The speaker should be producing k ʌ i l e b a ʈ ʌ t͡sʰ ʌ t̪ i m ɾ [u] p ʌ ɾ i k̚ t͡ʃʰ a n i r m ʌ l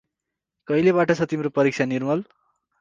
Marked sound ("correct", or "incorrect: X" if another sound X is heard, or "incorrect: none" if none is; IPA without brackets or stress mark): incorrect: o